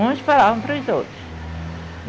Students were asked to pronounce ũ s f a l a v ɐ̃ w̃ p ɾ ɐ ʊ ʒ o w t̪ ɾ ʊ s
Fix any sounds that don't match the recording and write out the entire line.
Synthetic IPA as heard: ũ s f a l a v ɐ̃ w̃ p ɾ ɐ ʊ z o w t̪ ɾ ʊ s